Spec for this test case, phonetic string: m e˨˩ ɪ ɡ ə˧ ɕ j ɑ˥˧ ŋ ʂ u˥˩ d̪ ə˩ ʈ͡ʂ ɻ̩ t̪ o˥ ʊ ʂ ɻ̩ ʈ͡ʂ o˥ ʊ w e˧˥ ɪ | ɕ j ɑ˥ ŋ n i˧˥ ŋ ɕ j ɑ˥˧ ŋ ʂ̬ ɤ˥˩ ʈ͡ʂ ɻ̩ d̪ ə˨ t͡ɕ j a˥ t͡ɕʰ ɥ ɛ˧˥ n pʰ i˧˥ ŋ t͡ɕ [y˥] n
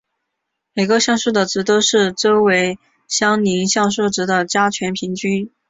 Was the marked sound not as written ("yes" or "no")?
no